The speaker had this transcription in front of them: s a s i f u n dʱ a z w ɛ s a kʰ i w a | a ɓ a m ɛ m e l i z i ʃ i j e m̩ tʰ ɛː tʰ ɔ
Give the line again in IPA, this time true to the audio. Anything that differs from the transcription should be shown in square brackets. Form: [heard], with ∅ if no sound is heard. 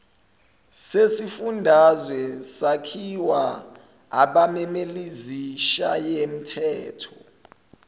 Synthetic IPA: s [e] s i f u n dʱ a z w ɛ s a kʰ i w a | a ɓ a m ɛ m e l i z i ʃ [a] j e m̩ tʰ ɛː tʰ ɔ